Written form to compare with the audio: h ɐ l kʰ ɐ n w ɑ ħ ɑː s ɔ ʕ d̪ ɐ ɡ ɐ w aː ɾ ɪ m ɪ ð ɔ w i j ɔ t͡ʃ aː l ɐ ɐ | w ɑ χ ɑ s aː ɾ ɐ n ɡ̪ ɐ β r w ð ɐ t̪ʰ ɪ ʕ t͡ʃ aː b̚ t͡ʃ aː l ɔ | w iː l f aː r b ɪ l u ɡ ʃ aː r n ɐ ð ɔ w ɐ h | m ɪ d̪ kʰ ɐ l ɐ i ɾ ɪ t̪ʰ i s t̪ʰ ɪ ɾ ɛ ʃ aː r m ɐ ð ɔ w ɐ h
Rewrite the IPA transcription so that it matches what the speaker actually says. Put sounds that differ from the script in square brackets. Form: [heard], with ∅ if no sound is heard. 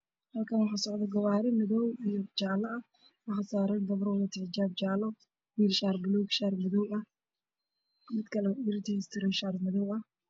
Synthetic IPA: h ɐ l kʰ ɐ n w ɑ ħ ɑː s ɔ ʕ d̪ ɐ ɡ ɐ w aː ɾ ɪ m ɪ ð ɔ w i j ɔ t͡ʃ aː l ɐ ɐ | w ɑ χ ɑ s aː ɾ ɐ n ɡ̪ ɐ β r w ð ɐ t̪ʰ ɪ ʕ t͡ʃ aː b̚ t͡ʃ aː l ɔ | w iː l [ʃ] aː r b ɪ l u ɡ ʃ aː r [m] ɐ ð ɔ w ɐ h | m ɪ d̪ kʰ ɐ l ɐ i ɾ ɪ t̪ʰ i s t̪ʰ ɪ ɾ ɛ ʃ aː r m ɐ ð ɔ w ɐ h